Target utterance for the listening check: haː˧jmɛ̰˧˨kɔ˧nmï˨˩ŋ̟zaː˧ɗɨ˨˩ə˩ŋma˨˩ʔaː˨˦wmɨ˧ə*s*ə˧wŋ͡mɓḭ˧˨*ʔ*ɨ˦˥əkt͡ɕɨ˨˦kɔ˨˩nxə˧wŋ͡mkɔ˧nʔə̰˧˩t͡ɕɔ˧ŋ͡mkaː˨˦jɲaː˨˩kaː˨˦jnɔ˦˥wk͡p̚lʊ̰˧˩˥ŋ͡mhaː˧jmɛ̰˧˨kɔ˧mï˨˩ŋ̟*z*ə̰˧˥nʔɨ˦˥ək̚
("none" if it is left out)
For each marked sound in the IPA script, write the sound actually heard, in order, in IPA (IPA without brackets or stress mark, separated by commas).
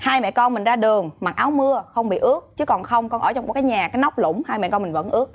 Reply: x, ʔ, v